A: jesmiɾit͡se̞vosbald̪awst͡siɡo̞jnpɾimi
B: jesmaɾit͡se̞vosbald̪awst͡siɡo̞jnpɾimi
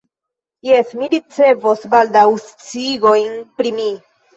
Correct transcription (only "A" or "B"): A